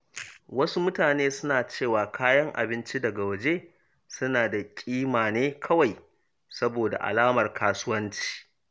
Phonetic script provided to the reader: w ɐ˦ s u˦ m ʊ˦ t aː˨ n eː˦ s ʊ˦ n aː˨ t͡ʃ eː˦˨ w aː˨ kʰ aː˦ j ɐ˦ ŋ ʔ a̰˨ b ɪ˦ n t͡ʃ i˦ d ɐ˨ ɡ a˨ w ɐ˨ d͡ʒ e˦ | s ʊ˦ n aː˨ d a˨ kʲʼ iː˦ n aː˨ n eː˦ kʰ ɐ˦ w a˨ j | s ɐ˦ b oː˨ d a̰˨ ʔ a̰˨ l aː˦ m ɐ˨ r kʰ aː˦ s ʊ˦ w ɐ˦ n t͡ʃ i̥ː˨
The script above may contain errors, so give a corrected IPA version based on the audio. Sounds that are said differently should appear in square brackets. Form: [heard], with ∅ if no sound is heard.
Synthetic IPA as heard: w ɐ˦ s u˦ m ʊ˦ t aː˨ n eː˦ s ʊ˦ n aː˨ t͡ʃ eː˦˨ w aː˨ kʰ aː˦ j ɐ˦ ŋ ʔ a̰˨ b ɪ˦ n t͡ʃ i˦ d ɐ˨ ɡ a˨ w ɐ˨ d͡ʒ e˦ | s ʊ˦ n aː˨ d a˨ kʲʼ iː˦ [m] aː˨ n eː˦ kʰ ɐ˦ w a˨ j | s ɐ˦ b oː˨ d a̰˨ ʔ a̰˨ l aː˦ m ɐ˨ r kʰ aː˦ s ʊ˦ w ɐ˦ n t͡ʃ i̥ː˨